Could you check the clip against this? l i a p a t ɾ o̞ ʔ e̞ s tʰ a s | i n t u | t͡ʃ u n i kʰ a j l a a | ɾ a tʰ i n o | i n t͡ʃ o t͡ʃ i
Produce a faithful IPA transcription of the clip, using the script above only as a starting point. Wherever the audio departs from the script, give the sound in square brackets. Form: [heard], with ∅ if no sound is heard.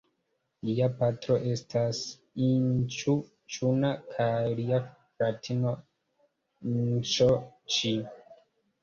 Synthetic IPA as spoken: l i a p a t ɾ o̞ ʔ e̞ s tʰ a s | i n [t͡ʃ] u | t͡ʃ u n [a] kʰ a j l [i] a | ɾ a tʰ i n o | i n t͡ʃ o t͡ʃ i